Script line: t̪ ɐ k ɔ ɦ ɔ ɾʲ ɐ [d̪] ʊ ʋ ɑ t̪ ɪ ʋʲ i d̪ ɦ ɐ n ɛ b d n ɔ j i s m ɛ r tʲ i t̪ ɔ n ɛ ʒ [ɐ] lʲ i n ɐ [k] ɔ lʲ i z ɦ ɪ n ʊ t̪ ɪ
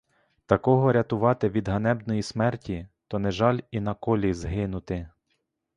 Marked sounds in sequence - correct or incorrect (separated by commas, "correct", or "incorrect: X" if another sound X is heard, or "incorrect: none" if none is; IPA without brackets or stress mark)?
incorrect: t̪, incorrect: ɑ, correct